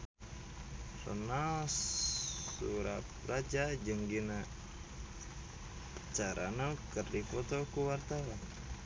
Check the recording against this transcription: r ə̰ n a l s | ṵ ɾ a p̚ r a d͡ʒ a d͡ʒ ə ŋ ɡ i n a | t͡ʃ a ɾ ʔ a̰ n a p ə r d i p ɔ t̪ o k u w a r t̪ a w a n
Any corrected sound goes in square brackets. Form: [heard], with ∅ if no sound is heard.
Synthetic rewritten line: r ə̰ n a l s | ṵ ɾ a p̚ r a d͡ʒ a d͡ʒ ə ŋ ɡ i n a | t͡ʃ a ɾ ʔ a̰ n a [k] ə r d i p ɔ t̪ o k u w a r t̪ a w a n